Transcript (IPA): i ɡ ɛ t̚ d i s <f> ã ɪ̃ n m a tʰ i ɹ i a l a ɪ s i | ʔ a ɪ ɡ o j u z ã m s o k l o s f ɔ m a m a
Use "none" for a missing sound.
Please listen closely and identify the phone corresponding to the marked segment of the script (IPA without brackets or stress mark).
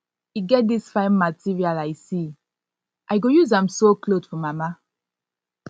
f